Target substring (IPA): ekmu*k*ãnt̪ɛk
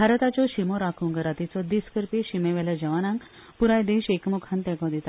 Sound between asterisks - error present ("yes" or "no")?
yes